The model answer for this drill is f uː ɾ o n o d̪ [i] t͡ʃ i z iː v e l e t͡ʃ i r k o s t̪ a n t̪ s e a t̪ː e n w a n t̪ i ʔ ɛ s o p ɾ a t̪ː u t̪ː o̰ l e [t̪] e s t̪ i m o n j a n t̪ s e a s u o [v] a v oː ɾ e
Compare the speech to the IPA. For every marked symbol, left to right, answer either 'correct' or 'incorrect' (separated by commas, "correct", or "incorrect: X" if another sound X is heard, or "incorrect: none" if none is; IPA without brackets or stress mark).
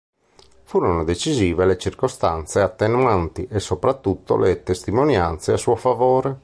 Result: incorrect: e, correct, incorrect: f